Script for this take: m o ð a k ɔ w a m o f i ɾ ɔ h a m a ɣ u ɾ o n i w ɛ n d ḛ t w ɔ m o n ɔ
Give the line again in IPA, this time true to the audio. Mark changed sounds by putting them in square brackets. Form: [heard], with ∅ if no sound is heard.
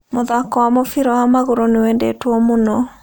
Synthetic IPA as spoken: m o ð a k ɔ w a m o f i ɾ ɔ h a m a ɣ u ɾ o n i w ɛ n d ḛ t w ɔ m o n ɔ